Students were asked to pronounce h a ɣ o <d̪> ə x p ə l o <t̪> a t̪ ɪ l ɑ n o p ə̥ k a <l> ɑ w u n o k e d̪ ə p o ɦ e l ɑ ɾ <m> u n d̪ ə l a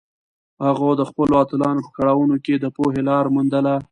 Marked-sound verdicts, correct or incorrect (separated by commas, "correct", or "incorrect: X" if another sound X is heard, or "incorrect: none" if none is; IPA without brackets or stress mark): correct, incorrect: none, incorrect: ɽ, correct